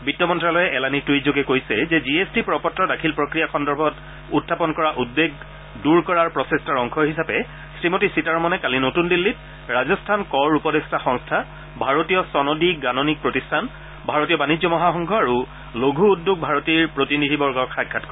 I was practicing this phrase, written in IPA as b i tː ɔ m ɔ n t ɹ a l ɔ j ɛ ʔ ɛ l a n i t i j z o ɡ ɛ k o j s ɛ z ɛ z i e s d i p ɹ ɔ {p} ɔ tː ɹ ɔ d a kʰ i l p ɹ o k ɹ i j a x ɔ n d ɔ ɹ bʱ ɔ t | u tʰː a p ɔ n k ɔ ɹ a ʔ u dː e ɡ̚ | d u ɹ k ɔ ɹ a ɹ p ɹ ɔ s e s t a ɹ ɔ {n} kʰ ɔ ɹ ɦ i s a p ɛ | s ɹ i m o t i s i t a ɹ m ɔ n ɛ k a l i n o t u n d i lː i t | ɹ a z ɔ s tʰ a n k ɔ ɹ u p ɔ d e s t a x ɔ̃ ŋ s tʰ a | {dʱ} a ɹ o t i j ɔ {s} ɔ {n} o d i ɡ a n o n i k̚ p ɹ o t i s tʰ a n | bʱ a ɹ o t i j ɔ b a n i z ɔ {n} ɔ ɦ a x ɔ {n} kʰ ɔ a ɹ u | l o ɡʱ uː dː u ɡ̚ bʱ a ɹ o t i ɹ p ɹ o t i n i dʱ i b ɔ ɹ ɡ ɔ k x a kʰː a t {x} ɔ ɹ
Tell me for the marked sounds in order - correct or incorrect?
correct, incorrect, incorrect, correct, correct, incorrect, incorrect, incorrect

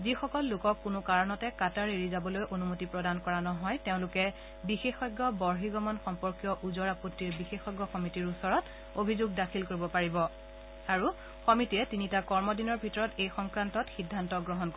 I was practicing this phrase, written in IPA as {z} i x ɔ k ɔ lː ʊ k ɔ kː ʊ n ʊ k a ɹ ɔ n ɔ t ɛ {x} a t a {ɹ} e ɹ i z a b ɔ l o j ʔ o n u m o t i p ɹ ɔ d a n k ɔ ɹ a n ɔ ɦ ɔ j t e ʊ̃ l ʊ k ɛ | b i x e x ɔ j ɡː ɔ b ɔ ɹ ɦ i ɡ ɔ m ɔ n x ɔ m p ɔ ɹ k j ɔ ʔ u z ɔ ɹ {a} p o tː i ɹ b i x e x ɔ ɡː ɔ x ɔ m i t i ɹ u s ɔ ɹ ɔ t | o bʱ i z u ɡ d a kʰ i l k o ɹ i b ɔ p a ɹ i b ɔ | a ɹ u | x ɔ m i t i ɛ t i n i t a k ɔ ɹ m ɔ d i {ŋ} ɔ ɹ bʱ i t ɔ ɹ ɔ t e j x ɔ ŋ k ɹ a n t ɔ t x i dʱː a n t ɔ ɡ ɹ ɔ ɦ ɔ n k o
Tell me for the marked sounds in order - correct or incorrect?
correct, incorrect, correct, correct, incorrect

